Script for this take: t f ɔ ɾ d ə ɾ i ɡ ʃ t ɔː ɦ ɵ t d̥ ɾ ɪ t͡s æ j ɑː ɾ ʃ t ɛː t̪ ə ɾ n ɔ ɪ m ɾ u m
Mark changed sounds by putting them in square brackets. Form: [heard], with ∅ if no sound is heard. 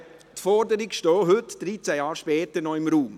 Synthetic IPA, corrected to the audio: t f ɔ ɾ d ə ɾ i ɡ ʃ t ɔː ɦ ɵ t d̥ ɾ [i] t͡s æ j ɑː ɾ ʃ [p] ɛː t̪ ə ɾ n ɔ ɪ m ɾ [uː] m